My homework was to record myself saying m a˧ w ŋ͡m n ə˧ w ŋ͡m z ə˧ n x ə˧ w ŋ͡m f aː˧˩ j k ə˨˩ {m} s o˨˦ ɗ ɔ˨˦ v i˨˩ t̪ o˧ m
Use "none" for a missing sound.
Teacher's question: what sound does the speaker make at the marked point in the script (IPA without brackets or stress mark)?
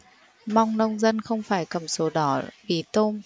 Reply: m